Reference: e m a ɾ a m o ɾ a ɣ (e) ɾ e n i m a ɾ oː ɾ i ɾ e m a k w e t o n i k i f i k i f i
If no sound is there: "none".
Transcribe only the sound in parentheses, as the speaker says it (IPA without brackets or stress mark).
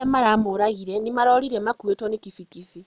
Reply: i